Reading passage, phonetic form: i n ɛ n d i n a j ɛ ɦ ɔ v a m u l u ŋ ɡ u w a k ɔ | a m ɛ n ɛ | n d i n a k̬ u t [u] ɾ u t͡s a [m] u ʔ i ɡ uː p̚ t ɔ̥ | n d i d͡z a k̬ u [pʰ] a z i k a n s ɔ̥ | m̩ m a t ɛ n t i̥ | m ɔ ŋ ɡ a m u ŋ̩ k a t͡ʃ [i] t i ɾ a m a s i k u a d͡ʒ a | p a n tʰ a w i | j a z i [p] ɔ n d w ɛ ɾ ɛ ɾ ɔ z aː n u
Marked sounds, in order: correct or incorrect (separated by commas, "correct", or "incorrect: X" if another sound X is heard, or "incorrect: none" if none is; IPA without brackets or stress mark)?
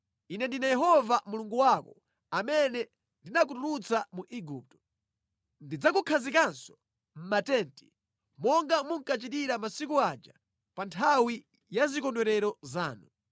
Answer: correct, correct, incorrect: kʰ, correct, incorrect: k